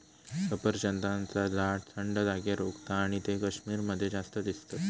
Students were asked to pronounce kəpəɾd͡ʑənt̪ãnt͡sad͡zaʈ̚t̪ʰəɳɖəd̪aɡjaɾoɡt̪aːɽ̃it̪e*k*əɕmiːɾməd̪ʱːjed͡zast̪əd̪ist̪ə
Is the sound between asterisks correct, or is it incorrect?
correct